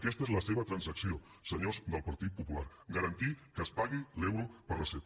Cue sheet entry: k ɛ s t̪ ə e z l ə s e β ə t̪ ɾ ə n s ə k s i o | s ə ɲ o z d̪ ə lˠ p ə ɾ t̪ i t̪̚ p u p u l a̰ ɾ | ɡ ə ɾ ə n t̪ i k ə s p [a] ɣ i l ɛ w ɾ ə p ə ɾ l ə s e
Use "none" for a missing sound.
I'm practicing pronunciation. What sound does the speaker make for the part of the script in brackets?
a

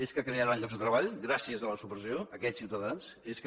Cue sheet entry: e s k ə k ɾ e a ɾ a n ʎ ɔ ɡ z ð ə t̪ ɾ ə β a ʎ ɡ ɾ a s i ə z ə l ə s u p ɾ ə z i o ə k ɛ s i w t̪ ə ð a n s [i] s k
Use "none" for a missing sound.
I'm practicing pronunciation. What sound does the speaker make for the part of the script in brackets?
e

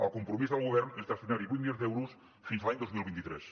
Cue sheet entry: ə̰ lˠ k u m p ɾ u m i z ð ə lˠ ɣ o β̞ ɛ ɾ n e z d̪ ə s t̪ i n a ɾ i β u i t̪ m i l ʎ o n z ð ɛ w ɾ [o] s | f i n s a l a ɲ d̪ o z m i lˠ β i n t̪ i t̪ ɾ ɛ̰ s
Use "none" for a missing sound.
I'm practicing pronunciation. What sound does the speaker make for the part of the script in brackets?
u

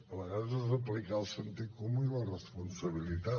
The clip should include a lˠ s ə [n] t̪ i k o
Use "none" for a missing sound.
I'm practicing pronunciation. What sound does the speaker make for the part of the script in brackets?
n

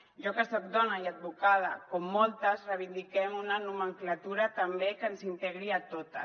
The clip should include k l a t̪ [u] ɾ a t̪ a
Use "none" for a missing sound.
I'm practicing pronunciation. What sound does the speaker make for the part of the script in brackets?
u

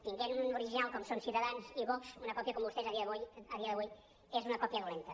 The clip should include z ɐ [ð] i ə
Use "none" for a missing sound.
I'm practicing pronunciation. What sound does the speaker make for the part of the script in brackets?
ð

